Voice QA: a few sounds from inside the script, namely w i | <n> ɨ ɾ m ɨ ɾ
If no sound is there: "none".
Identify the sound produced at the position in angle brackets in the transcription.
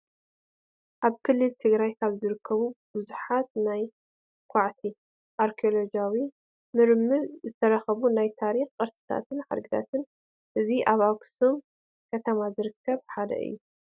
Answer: m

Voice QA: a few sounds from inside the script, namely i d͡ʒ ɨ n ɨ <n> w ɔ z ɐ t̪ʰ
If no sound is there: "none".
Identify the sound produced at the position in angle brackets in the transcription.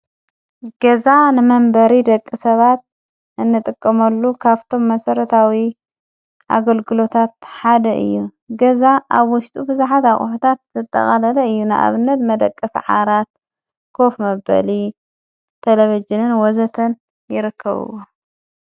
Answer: n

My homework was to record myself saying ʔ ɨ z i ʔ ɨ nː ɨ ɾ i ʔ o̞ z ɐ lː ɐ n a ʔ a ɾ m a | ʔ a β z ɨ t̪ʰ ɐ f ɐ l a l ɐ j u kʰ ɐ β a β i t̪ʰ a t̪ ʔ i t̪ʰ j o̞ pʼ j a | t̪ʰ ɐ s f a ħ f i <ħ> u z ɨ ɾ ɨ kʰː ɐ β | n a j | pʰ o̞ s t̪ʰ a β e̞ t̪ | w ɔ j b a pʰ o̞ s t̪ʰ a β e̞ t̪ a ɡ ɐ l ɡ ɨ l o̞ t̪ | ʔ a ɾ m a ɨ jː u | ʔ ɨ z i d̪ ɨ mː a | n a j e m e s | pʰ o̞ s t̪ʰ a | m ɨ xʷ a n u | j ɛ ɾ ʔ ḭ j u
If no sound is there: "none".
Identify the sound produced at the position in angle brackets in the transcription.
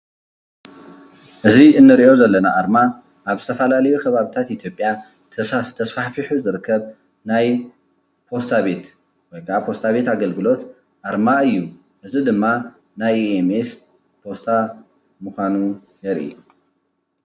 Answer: ħ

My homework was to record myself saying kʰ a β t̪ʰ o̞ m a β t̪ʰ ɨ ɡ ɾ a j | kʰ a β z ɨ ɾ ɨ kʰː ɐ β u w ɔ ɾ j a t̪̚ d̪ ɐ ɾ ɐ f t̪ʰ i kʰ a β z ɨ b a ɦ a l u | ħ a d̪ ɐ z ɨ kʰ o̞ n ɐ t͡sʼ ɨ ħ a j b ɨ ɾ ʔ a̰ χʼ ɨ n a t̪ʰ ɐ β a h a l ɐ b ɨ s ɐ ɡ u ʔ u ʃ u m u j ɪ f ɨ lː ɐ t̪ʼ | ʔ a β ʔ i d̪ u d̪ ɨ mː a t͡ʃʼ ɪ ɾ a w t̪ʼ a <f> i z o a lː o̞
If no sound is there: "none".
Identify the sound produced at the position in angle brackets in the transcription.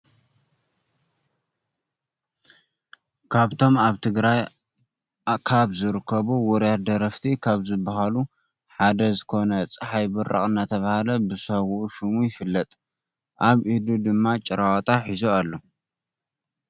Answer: ħ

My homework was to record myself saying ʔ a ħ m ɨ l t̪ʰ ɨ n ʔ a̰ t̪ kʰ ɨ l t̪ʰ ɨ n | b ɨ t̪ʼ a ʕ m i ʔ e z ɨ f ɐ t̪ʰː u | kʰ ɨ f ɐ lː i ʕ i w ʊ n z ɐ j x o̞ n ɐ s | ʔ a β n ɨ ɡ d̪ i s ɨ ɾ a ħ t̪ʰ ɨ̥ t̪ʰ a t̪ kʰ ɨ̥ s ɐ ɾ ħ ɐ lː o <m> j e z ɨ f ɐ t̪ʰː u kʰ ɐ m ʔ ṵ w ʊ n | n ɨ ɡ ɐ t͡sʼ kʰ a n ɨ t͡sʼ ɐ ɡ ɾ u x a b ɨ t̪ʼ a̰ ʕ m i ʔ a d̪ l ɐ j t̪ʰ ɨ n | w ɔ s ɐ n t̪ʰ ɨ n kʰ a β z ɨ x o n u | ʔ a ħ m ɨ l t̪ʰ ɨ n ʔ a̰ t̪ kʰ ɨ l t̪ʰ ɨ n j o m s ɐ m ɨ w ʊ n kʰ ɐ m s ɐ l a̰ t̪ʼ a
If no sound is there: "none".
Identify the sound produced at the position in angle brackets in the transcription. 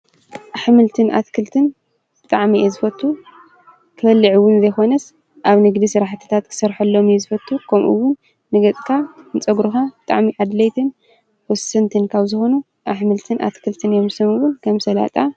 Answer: m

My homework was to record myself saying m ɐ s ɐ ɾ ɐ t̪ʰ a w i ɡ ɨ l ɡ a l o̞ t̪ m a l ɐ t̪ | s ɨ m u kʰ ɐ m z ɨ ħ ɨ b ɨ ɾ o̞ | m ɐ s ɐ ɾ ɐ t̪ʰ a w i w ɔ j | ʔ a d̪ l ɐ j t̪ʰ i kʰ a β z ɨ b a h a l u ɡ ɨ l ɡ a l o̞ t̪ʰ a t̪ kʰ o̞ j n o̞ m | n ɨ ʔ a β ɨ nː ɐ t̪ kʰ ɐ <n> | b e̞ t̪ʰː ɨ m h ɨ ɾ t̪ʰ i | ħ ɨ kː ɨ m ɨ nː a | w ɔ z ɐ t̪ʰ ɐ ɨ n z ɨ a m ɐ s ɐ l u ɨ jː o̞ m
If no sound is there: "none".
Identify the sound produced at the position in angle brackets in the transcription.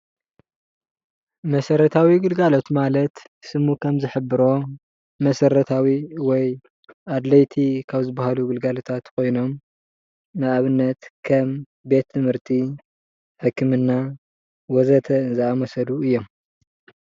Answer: m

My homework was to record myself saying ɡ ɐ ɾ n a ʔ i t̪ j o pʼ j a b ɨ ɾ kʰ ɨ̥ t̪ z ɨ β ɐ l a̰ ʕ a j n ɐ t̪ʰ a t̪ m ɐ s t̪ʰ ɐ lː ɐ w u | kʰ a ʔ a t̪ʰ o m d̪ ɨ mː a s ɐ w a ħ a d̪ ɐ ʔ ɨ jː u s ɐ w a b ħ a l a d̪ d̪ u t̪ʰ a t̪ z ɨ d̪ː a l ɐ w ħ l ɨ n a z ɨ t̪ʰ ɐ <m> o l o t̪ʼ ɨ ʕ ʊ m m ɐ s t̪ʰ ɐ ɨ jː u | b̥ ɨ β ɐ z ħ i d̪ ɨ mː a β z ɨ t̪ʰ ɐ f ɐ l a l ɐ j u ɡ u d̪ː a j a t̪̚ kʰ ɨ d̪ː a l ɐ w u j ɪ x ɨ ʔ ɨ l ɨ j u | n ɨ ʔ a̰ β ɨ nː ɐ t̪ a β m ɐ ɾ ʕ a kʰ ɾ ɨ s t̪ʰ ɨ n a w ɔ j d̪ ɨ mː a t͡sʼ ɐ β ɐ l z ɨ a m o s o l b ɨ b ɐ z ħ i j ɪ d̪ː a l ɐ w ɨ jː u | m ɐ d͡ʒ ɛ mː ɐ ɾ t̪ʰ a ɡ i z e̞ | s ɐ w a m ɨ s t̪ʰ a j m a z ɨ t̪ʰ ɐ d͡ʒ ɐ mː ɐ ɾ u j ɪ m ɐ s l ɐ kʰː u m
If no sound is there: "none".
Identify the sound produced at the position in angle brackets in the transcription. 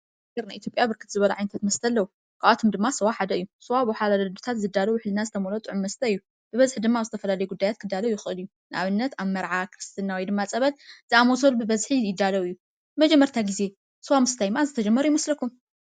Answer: m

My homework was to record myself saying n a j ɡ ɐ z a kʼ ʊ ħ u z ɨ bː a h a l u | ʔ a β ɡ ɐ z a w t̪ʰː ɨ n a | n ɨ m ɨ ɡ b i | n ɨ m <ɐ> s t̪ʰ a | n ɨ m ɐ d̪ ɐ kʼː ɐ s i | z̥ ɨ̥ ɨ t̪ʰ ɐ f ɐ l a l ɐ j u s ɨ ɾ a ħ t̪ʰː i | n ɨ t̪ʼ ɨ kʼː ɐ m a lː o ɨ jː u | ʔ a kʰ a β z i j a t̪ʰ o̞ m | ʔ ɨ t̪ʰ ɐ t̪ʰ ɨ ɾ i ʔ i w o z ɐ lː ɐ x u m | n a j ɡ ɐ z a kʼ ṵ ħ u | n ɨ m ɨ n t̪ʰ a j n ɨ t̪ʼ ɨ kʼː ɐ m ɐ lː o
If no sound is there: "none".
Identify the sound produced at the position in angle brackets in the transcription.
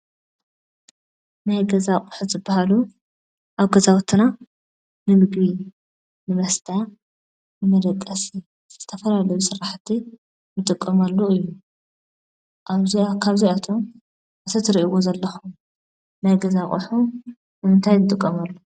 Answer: ɐ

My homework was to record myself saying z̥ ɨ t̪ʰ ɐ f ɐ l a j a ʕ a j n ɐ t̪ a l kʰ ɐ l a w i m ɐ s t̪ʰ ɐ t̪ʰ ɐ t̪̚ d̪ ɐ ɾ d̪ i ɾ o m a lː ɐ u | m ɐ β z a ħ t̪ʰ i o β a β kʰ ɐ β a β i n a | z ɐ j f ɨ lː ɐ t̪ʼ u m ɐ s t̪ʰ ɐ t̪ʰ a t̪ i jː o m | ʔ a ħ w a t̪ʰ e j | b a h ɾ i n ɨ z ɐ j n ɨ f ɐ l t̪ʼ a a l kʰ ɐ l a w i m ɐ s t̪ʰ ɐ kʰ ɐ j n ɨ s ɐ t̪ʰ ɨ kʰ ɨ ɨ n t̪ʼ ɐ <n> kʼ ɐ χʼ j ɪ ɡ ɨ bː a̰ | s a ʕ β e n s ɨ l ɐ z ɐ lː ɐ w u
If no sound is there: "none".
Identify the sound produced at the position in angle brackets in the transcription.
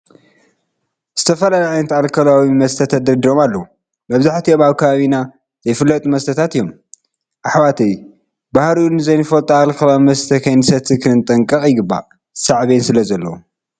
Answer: ŋ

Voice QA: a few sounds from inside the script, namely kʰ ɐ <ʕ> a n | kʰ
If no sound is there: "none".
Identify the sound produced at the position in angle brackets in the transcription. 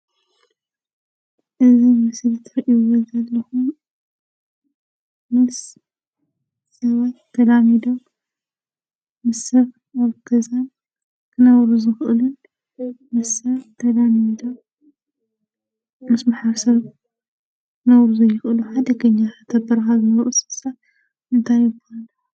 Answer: z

